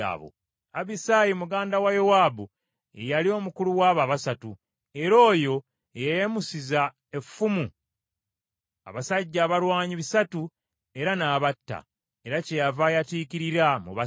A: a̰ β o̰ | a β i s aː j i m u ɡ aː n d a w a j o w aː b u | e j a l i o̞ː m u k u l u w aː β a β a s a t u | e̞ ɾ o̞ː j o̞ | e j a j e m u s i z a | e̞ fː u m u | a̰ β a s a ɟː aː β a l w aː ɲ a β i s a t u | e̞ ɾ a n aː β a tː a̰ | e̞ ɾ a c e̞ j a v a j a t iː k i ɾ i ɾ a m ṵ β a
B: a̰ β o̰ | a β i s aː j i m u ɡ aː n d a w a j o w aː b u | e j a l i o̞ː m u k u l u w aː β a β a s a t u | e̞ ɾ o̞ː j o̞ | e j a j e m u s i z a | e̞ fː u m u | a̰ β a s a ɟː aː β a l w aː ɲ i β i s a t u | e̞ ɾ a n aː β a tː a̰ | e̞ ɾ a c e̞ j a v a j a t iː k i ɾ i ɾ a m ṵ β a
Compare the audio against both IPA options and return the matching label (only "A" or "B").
B